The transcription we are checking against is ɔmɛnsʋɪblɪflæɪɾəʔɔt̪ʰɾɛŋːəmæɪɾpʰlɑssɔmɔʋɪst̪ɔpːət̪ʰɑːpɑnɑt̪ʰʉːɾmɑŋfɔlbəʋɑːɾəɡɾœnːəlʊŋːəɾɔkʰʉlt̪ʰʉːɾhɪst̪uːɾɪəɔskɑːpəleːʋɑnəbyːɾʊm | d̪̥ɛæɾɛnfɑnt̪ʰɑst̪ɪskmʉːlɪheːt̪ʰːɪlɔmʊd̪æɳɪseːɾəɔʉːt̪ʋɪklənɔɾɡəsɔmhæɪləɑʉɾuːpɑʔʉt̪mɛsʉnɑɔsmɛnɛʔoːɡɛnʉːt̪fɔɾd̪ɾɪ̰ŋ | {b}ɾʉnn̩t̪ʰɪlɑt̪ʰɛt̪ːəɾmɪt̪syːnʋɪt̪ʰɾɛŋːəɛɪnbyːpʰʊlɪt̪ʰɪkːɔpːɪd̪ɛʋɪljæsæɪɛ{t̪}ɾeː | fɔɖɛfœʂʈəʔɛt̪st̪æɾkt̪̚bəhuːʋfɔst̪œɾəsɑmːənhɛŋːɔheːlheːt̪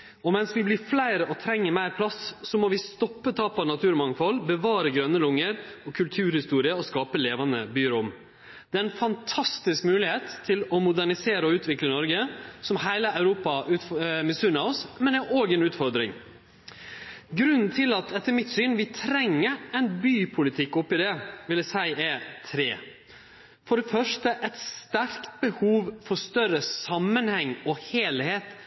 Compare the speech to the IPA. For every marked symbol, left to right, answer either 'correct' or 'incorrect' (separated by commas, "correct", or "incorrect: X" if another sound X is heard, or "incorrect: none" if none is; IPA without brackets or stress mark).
incorrect: ɡ, incorrect: t̪ʰ